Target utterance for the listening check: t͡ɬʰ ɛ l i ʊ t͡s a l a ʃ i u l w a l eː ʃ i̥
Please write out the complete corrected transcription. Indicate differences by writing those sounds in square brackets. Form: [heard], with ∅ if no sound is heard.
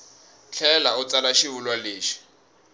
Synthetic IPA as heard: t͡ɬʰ ɛ l [a] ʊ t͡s a l a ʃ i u l w a l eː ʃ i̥

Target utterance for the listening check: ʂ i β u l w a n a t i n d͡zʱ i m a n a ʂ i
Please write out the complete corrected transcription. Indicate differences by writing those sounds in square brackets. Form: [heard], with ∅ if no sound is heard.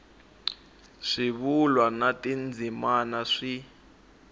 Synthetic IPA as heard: ʂ i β u l w a n a t i n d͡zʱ i m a n a ʂ i

